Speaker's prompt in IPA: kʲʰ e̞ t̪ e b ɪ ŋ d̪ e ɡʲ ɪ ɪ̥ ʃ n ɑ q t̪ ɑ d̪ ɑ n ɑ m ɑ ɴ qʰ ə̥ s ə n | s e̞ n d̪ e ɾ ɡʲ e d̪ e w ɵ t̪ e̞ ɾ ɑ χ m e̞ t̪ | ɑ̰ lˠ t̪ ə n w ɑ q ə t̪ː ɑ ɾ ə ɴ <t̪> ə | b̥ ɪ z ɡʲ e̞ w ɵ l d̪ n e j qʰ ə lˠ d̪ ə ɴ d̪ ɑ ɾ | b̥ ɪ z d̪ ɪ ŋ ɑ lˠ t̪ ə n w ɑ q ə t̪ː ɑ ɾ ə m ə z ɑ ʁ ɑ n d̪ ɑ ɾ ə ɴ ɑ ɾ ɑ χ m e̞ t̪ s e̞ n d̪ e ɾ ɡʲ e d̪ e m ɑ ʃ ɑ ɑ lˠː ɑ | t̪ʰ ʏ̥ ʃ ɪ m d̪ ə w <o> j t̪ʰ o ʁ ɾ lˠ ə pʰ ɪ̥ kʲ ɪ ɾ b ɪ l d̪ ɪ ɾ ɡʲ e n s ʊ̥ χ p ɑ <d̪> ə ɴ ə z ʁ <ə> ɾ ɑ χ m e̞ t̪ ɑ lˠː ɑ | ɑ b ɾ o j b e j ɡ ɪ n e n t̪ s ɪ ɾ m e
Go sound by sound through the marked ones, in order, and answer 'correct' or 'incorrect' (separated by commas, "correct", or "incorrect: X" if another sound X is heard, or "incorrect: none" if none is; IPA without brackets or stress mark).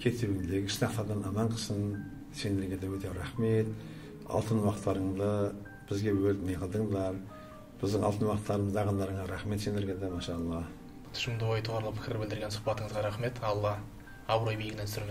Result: incorrect: d̪, correct, incorrect: t̪, incorrect: ɑ